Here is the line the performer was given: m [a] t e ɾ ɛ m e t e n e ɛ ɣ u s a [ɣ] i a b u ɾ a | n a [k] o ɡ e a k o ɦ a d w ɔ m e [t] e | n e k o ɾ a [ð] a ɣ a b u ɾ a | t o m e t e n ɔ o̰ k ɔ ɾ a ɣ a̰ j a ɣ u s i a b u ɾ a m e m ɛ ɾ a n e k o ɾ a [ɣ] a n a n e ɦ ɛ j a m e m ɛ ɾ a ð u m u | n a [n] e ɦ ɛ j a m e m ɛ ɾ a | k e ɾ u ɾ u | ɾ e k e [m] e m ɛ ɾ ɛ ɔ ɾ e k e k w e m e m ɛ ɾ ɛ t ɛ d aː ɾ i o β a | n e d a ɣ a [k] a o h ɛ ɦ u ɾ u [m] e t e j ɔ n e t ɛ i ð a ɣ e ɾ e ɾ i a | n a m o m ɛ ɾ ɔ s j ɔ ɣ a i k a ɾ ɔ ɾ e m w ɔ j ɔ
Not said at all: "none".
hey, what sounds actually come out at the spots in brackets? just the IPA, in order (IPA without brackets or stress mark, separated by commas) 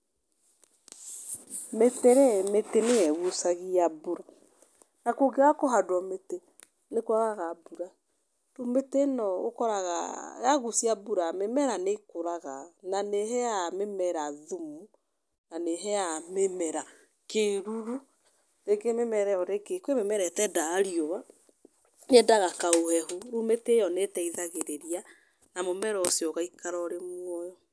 e, ɣ, k, t, ɣ, ɣ, n, m, k, m